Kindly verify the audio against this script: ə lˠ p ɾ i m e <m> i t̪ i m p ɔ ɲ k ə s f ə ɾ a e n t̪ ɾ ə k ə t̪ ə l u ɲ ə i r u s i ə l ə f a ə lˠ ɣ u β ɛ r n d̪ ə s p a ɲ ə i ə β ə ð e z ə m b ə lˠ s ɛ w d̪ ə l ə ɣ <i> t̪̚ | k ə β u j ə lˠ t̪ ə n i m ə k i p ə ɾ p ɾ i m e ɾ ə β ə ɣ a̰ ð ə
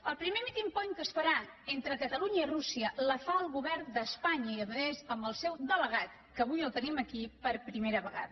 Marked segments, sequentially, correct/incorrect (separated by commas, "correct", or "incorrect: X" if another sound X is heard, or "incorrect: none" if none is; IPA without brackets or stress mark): correct, incorrect: a